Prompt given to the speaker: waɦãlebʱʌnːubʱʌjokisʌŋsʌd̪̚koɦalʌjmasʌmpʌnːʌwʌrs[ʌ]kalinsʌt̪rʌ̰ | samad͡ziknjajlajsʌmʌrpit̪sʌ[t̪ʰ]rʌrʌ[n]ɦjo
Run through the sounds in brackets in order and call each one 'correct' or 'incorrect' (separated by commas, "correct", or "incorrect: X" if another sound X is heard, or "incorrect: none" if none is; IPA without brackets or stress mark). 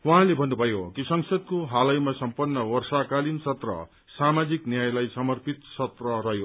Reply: incorrect: a, incorrect: t̪, incorrect: none